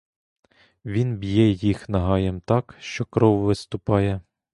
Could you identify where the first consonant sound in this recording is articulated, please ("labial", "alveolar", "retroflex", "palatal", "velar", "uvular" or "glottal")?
labial